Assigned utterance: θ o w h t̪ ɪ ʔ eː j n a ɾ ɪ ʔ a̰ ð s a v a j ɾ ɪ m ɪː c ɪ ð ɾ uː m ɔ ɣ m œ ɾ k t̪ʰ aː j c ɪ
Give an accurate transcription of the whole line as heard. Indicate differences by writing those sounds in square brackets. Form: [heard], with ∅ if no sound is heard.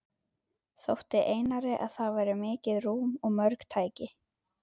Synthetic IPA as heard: θ o w h t̪ ɪ ʔ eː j n a ɾ ɪ ʔ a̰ ð [θ] a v a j ɾ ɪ m ɪː c ɪ ð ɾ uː m ɔ ɣ m œ ɾ k t̪ʰ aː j c ɪ